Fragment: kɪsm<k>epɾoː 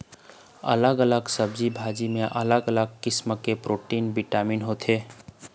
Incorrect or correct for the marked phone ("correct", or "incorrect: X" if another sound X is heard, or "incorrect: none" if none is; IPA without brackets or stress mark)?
correct